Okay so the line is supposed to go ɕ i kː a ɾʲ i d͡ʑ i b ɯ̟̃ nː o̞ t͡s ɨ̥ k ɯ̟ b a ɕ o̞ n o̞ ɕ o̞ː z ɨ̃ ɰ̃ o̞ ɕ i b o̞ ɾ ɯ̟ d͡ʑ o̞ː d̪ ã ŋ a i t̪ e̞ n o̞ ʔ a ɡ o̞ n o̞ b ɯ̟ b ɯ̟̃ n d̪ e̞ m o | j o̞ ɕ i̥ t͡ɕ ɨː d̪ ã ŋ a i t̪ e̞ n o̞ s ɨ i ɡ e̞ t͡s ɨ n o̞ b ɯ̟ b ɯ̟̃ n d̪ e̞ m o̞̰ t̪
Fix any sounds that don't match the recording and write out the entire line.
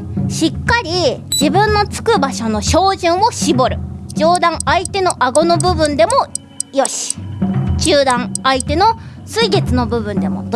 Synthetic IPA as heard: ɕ i kː a ɾʲ i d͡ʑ i b ɯ̟̃ nː o̞ t͡s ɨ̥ k ɯ̟ b a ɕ o̞ n o̞ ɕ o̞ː ʑ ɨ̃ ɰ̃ o̞ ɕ i b o̞ ɾ ɯ̟ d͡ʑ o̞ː d̪ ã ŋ a i t̪ e̞ n o̞ ʔ a ɡ o̞ n o̞ b ɯ̟ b ɯ̟̃ n d̪ e̞ m o | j o̞ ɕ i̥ t͡ɕ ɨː d̪ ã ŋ a i t̪ e̞ n o̞ s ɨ i ɡ e̞ t͡s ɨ n o̞ b ɯ̟ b ɯ̟̃ n d̪ e̞ m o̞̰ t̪